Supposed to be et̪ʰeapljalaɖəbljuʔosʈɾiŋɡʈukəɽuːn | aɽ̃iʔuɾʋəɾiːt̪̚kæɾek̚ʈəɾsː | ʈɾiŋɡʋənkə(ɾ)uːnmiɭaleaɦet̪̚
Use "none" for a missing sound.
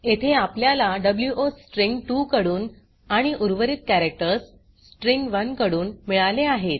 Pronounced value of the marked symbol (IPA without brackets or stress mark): ɽ